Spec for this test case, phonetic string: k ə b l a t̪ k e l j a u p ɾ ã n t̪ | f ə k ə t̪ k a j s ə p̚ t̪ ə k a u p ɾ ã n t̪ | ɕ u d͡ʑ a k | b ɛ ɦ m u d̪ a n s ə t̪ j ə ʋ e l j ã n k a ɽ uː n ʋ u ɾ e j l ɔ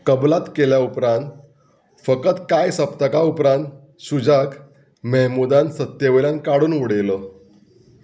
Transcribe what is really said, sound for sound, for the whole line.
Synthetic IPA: k ə b l a t̪ k e l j a u p ɾ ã n t̪ | f ə k ə t̪ k a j s ə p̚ t̪ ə k a u p ɾ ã n t̪ | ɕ u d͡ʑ a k | m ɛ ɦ m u d̪ a n s ə t̪ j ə ʋ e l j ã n k a ɽ uː n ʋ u ɽ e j l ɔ